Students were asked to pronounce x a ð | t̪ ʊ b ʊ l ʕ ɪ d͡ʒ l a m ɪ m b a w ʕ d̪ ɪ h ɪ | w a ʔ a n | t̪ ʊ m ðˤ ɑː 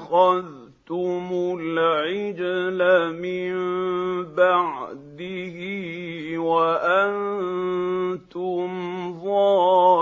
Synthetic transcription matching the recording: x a ð | t̪ ʊ m ʊ l ʕ ɪ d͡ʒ l a m ɪ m b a ʕ d̪ ɪ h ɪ | w a ʔ a n | t̪ ʊ m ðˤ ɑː